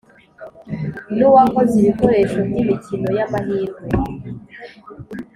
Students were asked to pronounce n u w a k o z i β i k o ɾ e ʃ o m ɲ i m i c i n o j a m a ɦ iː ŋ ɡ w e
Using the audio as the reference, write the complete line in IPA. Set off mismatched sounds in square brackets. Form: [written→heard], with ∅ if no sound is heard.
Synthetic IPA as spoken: n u w a k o z i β i k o ɾ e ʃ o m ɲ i m i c i n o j a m a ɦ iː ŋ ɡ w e